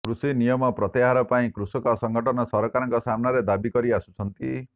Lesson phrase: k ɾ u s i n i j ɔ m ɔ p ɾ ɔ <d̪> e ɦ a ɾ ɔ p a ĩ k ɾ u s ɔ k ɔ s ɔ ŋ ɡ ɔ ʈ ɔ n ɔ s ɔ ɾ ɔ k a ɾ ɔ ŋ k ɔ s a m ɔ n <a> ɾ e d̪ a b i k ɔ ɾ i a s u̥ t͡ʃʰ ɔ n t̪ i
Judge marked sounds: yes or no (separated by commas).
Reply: no, yes